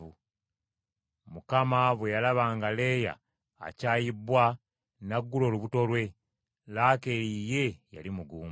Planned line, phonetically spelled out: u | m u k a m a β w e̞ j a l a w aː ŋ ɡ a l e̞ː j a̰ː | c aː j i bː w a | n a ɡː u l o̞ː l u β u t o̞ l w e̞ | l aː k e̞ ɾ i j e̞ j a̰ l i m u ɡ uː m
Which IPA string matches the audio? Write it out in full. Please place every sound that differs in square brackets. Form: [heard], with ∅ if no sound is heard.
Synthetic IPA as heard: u | m u k a m a β w e̞ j a l a [β] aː ŋ ɡ a l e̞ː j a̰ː | c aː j i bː w a | n a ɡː u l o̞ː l u β u t o̞ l w e̞ | l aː k e̞ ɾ i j e̞ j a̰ l i m u ɡ uː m